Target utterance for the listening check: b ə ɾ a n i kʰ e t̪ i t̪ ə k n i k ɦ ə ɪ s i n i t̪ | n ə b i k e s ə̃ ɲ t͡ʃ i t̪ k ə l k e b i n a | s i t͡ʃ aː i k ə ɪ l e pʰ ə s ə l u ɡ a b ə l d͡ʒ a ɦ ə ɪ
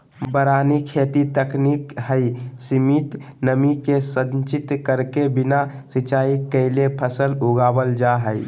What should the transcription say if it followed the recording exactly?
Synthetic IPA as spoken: b ə ɾ a n i kʰ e t̪ i t̪ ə k n i k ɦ ə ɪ s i m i t̪ | n ə m i k e s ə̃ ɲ t͡ʃ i t̪ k ə ɾ k e b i n a | s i t͡ʃ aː i k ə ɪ l e pʰ ə s ə l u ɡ a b ə l d͡ʒ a ɦ ə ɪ